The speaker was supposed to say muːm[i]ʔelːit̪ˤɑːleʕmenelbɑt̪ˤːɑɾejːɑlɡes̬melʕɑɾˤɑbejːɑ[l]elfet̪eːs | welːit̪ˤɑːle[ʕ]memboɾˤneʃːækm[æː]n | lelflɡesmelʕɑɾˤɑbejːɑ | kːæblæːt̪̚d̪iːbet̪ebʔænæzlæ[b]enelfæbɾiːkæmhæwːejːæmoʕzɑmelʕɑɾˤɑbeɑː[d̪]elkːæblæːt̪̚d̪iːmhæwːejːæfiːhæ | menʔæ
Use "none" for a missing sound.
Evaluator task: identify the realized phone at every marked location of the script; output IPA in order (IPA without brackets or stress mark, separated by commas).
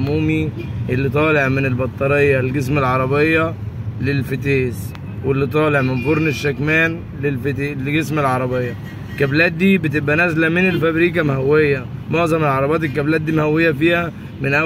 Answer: i, l, ʕ, æː, m, t̪